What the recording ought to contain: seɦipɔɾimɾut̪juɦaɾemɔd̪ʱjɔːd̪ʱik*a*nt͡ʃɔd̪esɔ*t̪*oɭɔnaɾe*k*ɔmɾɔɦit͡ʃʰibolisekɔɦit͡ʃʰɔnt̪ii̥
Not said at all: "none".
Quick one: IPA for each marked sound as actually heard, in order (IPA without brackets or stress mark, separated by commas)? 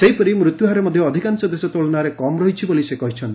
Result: a, t̪, k